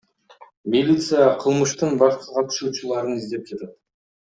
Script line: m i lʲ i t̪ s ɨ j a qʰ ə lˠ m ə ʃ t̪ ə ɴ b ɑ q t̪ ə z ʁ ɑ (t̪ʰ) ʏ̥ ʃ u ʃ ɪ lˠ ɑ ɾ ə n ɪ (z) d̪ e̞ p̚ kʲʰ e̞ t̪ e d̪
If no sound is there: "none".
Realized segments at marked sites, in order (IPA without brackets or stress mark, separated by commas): t̪ʰ, z